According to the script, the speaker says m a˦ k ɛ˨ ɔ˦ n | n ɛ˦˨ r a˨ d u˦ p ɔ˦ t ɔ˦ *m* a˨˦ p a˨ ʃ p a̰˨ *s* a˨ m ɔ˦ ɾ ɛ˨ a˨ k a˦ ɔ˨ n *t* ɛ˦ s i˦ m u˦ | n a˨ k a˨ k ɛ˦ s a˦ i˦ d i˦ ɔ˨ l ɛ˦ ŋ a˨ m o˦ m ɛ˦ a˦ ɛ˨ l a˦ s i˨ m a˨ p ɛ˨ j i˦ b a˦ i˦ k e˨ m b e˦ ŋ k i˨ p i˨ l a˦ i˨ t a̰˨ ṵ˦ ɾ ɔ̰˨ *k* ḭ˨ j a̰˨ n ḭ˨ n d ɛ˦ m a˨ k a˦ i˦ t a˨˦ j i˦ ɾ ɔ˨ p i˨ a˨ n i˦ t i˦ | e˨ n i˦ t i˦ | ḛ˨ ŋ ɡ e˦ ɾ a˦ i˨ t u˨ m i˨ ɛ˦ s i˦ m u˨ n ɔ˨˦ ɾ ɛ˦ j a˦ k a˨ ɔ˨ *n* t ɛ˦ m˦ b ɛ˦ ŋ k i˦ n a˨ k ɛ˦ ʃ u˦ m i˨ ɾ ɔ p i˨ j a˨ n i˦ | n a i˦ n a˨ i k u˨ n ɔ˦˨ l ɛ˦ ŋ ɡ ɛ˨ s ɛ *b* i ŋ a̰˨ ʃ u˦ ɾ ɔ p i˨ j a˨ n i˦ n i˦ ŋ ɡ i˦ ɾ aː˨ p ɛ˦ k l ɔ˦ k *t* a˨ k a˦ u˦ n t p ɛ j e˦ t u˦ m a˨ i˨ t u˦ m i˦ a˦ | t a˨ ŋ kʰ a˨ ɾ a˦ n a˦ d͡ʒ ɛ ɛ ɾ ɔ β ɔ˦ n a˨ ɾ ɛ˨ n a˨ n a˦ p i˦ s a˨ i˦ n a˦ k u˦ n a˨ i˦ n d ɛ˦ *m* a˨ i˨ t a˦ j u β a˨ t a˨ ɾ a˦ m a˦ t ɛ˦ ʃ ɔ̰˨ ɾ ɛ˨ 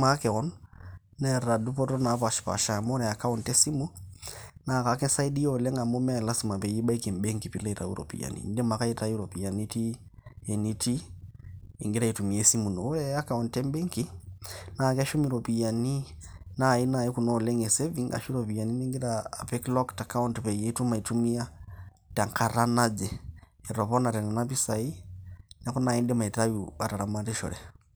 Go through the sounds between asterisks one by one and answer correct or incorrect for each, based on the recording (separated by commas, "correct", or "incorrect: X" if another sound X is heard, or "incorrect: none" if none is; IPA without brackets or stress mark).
incorrect: n, incorrect: ʃ, correct, incorrect: p, correct, incorrect: v, correct, correct